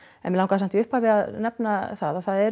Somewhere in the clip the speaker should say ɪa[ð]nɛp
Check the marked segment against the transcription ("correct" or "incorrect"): correct